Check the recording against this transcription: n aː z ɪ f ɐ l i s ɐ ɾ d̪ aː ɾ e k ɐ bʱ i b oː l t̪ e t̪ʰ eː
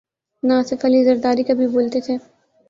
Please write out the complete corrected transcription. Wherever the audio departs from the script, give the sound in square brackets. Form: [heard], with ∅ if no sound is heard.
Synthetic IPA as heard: n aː [s] ɪ f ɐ l i [z] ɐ ɾ d̪ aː ɾ [i] k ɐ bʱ i b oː l t̪ e t̪ʰ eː

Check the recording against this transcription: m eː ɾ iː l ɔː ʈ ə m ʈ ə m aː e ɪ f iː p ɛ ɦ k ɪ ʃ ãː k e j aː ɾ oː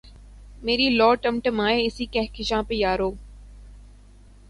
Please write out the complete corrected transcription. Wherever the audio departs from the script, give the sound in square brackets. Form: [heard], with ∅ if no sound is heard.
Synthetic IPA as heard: m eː ɾ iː l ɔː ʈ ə m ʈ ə m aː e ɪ [s] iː [k] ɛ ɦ k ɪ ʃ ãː [p] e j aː ɾ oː

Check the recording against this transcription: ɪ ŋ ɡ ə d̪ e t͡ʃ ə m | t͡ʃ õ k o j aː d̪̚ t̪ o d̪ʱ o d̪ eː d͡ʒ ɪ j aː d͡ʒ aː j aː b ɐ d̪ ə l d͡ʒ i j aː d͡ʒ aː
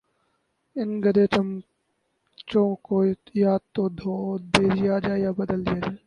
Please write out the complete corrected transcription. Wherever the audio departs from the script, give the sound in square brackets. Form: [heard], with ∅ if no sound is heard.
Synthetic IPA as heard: ɪ [n] ɡ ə d̪ e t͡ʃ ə m | t͡ʃ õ k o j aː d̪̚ t̪ o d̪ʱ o d̪ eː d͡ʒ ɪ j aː d͡ʒ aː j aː b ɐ d̪ ə l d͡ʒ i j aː d͡ʒ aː

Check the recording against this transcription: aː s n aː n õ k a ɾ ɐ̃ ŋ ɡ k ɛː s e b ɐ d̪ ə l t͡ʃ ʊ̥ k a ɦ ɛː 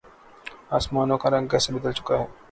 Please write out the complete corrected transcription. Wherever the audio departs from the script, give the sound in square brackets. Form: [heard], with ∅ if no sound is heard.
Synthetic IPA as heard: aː s [m] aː n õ k a ɾ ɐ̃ ŋ ɡ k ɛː s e b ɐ d̪ ə l t͡ʃ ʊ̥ k a ɦ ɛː

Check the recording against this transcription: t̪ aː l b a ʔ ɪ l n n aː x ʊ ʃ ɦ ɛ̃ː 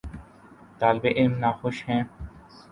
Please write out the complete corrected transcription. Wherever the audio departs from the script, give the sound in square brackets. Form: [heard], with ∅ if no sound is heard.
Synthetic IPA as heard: t̪ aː l b [e] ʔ ɪ l [m] n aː x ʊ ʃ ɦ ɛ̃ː

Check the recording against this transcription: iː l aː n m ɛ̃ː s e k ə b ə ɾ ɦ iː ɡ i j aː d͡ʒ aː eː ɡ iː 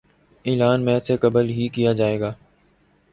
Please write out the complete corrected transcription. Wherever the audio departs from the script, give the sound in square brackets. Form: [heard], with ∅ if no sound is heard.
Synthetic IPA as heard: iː l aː n m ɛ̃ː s e k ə b ə [l] ɦ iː [k] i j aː d͡ʒ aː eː ɡ [aː]

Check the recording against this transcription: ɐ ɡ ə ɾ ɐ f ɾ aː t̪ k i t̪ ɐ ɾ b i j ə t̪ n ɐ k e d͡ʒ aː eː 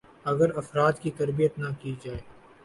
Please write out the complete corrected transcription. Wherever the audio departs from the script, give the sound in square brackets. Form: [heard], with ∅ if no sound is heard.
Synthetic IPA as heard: ɐ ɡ ə ɾ ɐ f ɾ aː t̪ k i t̪ ɐ ɾ b i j ə t̪ n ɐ k [i] d͡ʒ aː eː

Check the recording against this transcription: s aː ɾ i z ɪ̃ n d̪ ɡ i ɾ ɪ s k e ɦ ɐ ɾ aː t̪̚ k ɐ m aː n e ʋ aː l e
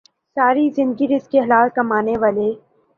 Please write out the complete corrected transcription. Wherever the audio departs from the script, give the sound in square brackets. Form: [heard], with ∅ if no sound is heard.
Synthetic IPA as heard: s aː ɾ i z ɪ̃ n d̪ ɡ i ɾ ɪ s k e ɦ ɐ [l] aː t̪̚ k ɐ m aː n e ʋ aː l e

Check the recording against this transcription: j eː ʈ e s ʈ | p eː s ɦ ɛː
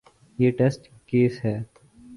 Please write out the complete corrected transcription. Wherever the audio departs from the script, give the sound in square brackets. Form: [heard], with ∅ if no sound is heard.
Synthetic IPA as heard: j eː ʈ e s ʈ | [k] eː s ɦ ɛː

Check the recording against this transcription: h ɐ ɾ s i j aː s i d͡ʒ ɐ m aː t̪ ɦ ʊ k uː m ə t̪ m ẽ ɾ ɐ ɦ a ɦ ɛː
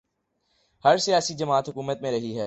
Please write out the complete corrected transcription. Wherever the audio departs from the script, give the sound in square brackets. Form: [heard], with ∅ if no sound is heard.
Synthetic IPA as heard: h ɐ ɾ s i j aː s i d͡ʒ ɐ m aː t̪ ɦ ʊ k uː m ə t̪ m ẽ ɾ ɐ ɦ [i] ɦ ɛː

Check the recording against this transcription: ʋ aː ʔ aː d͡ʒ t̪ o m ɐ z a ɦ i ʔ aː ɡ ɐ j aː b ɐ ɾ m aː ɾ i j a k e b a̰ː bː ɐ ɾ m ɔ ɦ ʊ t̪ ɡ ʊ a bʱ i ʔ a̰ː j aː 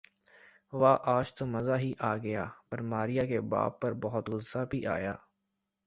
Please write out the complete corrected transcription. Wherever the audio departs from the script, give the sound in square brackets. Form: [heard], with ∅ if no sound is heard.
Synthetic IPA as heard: ʋ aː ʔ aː d͡ʒ t̪ o m ɐ z a ɦ i ʔ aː ɡ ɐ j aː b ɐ ɾ m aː ɾ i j a k e b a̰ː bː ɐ ɾ [b] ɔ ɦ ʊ t̪ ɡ ʊ a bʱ i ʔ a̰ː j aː

